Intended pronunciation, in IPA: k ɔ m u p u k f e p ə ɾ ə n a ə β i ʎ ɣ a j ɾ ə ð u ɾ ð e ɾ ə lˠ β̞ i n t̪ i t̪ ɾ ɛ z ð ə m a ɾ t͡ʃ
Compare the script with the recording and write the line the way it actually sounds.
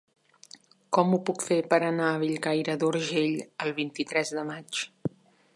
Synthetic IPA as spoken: k ɔ m u p u k f e p ə ɾ ə n a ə β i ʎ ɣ a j ɾ ə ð u ɾ ʒ e ʎ ə lˠ β̞ i n t̪ i t̪ ɾ ɛ z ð ə m a t͡ʃ